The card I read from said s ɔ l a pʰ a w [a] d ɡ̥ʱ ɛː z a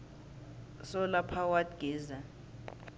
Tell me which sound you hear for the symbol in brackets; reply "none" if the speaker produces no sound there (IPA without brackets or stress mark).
a